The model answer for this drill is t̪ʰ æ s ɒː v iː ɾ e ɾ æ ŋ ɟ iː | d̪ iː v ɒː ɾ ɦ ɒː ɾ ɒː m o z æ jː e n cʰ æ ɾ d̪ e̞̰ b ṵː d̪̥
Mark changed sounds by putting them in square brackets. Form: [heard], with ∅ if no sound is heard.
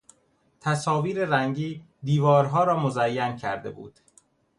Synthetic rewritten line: t̪ʰ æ s ɒː v iː ɾ e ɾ æ ŋ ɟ iː | d̪ iː v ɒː ɾ ɦ ɒː ɾ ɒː m o z æ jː [æ] n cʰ æ ɾ d̪ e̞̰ b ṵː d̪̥